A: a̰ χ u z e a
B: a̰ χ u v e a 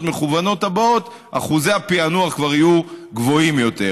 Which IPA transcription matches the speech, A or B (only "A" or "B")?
A